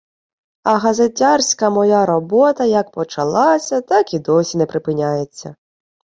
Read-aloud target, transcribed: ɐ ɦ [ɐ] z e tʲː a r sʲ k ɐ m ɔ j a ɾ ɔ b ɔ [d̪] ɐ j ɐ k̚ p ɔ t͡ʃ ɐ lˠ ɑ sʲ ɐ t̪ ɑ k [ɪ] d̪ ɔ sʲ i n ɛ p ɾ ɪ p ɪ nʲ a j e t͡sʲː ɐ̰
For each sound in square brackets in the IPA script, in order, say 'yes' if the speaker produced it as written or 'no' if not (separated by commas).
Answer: yes, no, no